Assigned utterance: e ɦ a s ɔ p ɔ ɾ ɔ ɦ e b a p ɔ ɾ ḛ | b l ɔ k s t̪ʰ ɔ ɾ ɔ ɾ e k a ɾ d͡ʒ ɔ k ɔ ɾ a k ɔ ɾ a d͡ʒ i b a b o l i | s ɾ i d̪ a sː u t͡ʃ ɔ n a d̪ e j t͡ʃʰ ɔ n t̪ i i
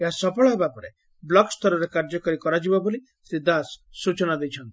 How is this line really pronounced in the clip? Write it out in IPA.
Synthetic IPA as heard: e ɦ a s ɔ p ɔ ɭ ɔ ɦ e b a p ɔ ɾ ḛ | b l ɔ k s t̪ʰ ɔ ɾ ɔ ɾ e k a ɾ d͡ʒ ɔ k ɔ ɾ i k ɔ ɾ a d͡ʒ i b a b o l i | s ɾ i d̪ a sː u t͡ʃ ɔ n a d̪ e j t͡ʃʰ ɔ n t̪ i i